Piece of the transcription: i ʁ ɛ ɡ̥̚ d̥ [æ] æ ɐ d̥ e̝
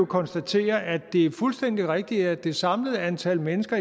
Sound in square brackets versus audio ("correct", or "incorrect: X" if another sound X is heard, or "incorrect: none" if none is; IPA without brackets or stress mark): incorrect: i